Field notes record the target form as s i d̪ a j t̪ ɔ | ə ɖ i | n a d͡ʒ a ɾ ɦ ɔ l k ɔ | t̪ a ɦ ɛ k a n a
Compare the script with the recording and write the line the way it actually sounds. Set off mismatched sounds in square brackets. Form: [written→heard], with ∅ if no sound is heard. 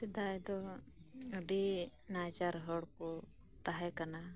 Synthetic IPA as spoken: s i d̪ a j [t̪→d̪] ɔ | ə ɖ i | n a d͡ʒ a ɾ ɦ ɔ [l→ɽ] k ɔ | t̪ a ɦ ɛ k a n a